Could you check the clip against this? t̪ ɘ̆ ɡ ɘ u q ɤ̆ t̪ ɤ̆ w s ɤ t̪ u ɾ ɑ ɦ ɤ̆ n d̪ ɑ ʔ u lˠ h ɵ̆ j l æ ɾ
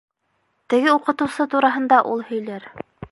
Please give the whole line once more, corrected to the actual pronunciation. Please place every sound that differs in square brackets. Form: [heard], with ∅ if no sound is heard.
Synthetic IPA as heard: t̪ ɘ̆ ɡ ɘ u q ɤ̆ t̪ ɤ̆ w s ɤ t̪ u ɾ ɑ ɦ ɤ̆ n d̪ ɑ ʔ u lˠ h ɵ̆ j l æ ɾ